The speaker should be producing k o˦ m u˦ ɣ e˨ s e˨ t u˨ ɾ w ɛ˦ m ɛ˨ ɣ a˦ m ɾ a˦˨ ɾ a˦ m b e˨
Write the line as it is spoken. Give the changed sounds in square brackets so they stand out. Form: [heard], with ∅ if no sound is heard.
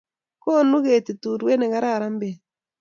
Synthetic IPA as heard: k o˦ [n] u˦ ɣ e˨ [t] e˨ t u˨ ɾ w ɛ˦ [n] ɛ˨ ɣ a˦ [∅] ɾ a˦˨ ɾ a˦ m b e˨